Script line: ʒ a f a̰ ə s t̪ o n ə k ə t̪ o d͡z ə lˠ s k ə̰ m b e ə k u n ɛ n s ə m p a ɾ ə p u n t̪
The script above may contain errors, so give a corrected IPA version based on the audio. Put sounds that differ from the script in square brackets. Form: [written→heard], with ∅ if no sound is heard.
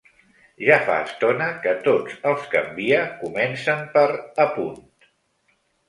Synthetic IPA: ʒ a f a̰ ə s t̪ o n ə k ə t̪ o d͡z ə lˠ s k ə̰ m b [e→i] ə k u [n→m] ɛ n s ə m p [a→ə] ɾ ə p u n t̪